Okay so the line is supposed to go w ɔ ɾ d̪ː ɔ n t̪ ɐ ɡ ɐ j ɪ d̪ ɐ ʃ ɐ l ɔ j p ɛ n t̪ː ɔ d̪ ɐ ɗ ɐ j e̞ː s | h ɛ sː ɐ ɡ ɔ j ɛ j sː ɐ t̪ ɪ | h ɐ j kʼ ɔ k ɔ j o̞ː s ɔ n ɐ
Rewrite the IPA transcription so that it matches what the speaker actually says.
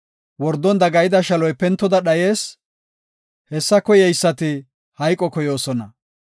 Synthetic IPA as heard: w ɔ ɾ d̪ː ɔ n d̪ ɐ ɡ ɐ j ɪ d̪ ɐ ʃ ɐ l ɔ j p ɛ n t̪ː ɔ d̪ ɐ ɗ ɐ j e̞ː s | h ɛ sː ɐ k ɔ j ɛ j sː ɐ t̪ ɪ | h ɐ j kʼ ɔ k ɔ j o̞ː s ɔ n ɐ